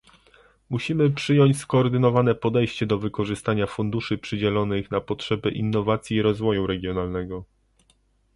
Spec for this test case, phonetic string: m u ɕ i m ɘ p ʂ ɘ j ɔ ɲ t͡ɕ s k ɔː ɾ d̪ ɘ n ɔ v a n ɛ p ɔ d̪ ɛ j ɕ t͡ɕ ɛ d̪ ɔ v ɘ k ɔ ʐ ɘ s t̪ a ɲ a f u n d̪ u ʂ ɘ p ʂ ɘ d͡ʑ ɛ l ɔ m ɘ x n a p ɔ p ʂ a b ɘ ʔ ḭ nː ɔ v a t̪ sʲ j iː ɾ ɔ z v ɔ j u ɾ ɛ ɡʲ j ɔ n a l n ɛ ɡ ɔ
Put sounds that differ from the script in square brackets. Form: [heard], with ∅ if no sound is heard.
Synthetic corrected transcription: m u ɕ i m ɘ p ʂ ɘ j ɔ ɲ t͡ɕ s k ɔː ɾ d̪ ɘ n ɔ v a n ɛ p ɔ d̪ ɛ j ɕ t͡ɕ ɛ d̪ ɔ v ɘ k ɔ ʐ ɘ s t̪ a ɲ a f u n d̪ u ʂ ɘ p ʂ ɘ d͡ʑ ɛ l ɔ [n] ɘ x n a p ɔ [t] ʂ [ɛ] b ɘ ʔ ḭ nː ɔ v a t̪ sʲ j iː ɾ ɔ z v ɔ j u ɾ ɛ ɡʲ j ɔ n a l n ɛ ɡ ɔ